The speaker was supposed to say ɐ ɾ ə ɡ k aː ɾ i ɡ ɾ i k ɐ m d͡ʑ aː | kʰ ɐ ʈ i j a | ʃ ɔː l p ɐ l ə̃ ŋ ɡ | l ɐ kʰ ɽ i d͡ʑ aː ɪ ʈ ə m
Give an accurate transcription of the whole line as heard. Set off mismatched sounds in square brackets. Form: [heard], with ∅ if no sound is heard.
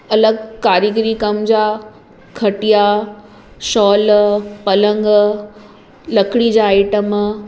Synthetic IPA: ɐ [l] ə ɡ k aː ɾ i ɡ ɾ i k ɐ m d͡ʑ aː | kʰ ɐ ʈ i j a | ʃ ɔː l p ɐ l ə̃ ŋ ɡ | l ɐ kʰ ɽ i d͡ʑ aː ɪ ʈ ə m